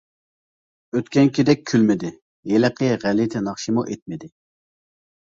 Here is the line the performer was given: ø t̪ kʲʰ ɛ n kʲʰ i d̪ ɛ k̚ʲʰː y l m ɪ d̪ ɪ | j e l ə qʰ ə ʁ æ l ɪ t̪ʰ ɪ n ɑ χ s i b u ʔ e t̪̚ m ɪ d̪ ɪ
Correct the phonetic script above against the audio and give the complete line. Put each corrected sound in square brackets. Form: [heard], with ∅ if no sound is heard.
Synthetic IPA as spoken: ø t̪ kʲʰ ɛ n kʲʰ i d̪ ɛ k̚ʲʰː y l m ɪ d̪ ɪ | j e l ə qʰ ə ʁ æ l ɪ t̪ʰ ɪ n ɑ χ [ʃ] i [m] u ʔ e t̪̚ m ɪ d̪ ɪ